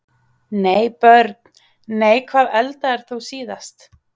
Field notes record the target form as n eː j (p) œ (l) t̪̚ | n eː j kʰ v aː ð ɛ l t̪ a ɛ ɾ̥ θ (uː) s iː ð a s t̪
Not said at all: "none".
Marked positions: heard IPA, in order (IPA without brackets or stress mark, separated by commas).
p, ɾ, u